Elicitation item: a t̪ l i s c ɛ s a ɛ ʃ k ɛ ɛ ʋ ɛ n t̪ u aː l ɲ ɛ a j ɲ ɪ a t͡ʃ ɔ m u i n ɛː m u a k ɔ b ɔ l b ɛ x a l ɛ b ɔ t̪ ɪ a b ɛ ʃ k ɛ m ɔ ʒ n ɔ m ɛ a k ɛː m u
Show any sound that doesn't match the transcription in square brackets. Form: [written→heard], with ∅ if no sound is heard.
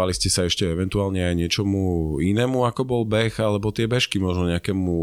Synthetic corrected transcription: a [t̪→∅] l i s c ɛ s a ɛ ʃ [k→c] ɛ ɛ ʋ ɛ n t̪ u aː l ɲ ɛ a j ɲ ɪ [a→ɛ] t͡ʃ ɔ m u i n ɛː m u a k ɔ b ɔ l b ɛ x a l ɛ b ɔ t̪ ɪ [a→ɛ] b ɛ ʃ k [ɛ→i] m ɔ ʒ n ɔ [m→ɲ] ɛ a k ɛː m u